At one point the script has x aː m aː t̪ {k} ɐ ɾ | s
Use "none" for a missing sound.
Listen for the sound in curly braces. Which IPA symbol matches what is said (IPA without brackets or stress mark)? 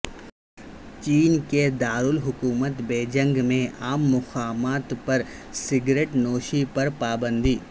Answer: p